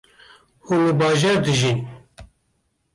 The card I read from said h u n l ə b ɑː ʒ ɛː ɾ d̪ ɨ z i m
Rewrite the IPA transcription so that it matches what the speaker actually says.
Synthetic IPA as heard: h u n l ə b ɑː ʒ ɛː ɾ d̪ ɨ ʒ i n